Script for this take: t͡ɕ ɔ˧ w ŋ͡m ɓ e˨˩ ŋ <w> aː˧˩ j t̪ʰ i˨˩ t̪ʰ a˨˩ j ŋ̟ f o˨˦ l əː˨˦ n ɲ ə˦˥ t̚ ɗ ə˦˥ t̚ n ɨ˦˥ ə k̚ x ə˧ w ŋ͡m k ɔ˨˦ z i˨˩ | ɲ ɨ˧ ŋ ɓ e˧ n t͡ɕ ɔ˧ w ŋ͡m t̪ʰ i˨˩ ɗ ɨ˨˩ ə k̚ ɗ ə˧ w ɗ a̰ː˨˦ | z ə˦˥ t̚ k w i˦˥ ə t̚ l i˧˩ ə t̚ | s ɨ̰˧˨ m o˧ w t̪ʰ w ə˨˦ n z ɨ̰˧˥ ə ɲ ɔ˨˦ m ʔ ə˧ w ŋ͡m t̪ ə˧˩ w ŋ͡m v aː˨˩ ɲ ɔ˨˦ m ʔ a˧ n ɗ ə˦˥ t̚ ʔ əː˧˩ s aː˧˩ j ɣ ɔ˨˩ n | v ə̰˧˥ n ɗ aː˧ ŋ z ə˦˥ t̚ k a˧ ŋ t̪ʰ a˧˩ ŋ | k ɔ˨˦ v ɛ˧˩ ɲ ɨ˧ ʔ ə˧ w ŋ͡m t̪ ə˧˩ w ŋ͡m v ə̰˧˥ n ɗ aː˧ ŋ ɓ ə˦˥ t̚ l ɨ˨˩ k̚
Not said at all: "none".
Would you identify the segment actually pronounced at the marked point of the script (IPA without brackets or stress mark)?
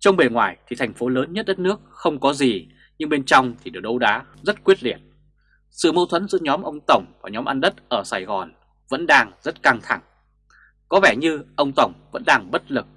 w